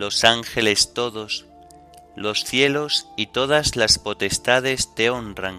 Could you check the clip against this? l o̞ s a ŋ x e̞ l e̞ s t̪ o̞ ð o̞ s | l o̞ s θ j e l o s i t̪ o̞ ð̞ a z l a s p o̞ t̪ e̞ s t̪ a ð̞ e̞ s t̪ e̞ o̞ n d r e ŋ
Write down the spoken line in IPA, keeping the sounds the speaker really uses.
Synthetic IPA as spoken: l o̞ s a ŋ x e̞ l e̞ s t̪ o̞ ð o̞ s | l o̞ s θ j e l o s i t̪ o̞ ð̞ a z l a s p o̞ t̪ e̞ s t̪ a ð̞ e̞ s t̪ e̞ o̞ n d r a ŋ